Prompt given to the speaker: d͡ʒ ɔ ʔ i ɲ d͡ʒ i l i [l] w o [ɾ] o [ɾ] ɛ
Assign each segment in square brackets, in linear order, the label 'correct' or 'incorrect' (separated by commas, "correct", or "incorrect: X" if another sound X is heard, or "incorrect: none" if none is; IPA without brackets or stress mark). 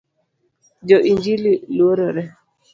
correct, correct, correct